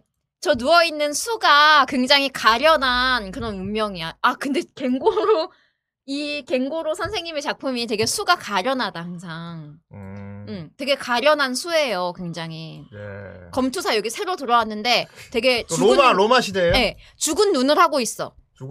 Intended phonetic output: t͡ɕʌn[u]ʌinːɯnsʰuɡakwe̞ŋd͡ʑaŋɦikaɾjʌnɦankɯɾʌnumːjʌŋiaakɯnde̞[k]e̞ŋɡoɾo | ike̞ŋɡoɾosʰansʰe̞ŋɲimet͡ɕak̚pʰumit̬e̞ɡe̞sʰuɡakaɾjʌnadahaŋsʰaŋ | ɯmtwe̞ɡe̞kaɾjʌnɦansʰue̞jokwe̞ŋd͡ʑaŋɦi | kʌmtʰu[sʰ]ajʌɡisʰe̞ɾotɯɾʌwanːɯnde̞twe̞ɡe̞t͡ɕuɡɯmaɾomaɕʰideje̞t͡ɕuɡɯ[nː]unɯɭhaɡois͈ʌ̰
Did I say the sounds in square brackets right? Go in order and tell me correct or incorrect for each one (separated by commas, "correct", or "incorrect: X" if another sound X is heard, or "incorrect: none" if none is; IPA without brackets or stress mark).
correct, correct, correct, correct